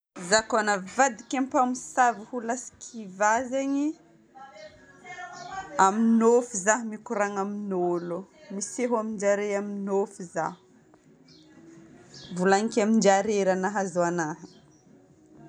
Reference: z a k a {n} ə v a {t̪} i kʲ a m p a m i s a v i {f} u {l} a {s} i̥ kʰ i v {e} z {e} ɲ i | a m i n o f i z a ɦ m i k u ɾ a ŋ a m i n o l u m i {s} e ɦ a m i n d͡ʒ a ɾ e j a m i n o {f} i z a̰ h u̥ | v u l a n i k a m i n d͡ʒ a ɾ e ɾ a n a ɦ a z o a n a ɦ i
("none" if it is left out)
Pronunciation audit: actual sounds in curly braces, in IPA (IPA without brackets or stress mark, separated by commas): n, d̪, h, l, s, a, e, s, f